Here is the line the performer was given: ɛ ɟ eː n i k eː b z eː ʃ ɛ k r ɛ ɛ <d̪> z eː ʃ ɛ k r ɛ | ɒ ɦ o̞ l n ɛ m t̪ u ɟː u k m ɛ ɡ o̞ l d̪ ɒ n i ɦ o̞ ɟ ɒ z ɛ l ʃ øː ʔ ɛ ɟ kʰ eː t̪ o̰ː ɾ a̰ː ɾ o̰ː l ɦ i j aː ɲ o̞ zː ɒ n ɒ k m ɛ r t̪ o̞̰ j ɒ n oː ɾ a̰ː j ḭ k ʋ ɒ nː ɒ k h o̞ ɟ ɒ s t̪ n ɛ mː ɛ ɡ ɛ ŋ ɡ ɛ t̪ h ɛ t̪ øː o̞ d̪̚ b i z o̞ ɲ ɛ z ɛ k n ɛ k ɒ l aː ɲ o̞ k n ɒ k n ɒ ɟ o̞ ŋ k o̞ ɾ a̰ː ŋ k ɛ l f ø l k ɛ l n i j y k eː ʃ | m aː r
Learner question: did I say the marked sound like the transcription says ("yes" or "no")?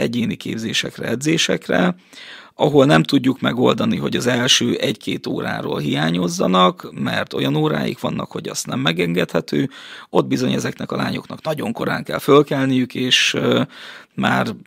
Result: yes